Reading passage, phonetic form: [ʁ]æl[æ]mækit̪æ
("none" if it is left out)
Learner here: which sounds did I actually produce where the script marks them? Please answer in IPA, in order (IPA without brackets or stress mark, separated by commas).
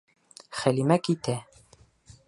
χ, i